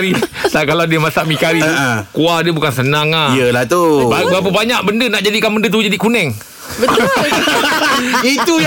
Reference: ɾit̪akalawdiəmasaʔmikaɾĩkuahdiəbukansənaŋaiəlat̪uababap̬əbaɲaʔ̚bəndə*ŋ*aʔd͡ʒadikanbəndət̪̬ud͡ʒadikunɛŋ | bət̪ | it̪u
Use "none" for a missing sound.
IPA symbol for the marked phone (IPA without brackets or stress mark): n